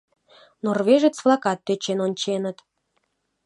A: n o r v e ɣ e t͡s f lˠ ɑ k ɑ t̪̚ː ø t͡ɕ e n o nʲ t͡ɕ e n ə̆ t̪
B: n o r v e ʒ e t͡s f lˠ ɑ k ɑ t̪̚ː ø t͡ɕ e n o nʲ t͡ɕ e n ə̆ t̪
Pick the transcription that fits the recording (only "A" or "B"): B